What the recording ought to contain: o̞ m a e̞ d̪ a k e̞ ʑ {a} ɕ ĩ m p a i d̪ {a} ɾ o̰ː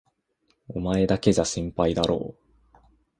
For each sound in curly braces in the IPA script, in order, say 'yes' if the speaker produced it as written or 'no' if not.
yes, yes

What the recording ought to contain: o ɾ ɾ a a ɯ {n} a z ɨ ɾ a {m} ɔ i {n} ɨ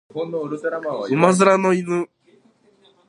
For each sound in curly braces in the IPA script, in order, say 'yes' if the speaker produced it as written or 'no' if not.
no, no, yes

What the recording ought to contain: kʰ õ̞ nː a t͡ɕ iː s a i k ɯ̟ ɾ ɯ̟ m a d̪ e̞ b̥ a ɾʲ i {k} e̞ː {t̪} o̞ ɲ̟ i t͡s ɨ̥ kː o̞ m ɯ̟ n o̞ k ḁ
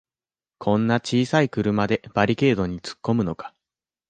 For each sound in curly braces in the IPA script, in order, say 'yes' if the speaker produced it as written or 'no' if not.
yes, no

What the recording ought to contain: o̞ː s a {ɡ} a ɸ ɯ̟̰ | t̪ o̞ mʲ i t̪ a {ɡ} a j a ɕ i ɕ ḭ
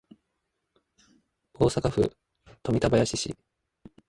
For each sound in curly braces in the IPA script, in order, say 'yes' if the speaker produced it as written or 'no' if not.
no, no

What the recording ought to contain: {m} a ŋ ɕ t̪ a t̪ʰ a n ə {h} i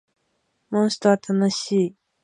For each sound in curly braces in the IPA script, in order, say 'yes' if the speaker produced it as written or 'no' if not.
yes, no

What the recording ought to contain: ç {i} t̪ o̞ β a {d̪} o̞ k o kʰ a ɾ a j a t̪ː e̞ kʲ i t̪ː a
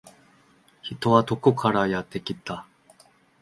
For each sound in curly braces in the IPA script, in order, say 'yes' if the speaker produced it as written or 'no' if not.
yes, no

